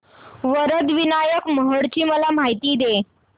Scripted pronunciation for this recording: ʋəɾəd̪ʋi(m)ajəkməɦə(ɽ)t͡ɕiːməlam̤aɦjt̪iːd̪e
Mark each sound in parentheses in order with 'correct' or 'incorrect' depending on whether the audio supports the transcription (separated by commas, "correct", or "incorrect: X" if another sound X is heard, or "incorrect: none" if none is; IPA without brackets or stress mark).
incorrect: n, correct